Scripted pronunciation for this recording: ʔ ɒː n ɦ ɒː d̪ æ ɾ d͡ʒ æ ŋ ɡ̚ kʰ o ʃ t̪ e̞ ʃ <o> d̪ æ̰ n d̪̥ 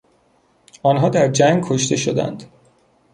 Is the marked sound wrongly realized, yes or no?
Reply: no